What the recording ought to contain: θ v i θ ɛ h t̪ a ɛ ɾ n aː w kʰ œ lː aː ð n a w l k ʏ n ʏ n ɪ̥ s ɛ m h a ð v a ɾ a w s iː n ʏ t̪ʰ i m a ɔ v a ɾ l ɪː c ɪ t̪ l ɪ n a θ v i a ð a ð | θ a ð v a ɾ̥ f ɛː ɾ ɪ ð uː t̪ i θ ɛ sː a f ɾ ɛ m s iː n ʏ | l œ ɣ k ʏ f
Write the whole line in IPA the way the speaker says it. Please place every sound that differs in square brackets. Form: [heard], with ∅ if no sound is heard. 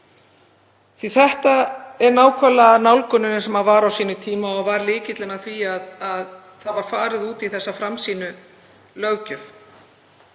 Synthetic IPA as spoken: θ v i θ ɛ h t̪ a ɛ ɾ n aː w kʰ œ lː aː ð n a w l k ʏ n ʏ n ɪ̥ s ɛ m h a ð v a ɾ a w s iː n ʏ t̪ʰ [iː] m a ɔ v a ɾ l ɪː c ɪ t̪ l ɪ n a θ v i a ð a ð | θ a ð v a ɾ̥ f [aː] ɾ ɪ ð uː t̪ i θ ɛ sː a f ɾ [a] m s iː n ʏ | l œ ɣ [c] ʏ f